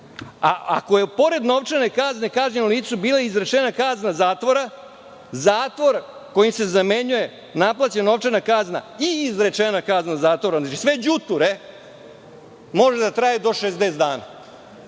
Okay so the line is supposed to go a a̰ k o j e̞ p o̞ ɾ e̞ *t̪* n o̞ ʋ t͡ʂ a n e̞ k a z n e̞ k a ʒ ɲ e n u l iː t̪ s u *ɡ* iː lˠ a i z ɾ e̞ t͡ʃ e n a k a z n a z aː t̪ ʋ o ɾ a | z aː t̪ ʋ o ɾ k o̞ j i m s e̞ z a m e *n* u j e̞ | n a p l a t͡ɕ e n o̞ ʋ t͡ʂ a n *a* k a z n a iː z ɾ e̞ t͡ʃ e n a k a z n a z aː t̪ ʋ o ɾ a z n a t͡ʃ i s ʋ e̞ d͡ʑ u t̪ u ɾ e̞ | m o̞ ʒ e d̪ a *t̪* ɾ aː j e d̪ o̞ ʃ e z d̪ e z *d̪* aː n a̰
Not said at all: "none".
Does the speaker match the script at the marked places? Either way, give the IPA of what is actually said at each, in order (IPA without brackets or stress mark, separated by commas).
d̪, b, ɲ, a, t̪, d̪